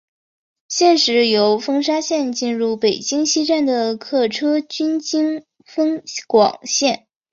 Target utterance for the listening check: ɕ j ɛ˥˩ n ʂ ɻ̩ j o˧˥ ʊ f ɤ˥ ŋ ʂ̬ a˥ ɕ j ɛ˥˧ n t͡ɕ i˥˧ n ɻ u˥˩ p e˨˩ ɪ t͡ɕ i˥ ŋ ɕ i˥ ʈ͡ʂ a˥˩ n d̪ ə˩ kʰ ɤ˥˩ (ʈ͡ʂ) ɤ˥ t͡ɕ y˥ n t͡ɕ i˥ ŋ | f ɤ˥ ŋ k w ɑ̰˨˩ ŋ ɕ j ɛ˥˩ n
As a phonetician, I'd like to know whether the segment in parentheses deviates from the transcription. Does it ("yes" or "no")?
yes